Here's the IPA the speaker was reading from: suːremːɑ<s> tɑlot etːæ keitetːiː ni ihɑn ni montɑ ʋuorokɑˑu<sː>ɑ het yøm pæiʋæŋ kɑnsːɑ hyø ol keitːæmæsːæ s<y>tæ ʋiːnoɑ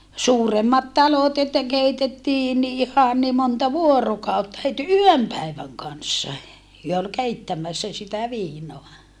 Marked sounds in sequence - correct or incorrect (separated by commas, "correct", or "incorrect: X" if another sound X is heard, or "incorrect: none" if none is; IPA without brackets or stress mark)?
incorrect: t, incorrect: tː, incorrect: i